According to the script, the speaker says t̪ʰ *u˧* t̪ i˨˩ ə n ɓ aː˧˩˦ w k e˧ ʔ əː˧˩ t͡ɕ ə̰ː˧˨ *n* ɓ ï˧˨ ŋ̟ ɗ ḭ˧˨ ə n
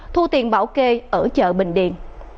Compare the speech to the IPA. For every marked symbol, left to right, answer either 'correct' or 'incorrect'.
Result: correct, incorrect

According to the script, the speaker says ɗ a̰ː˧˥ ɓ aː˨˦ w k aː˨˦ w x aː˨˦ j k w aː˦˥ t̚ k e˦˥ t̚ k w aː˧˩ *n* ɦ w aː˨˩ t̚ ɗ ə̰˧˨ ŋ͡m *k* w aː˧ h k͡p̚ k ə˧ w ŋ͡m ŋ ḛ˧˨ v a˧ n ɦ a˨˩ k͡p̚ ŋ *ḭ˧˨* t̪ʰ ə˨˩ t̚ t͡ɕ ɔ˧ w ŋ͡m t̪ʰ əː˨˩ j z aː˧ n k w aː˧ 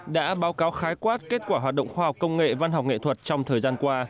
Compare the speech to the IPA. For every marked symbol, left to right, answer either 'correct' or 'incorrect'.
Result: incorrect, incorrect, incorrect

